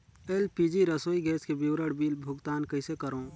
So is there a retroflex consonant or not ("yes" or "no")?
yes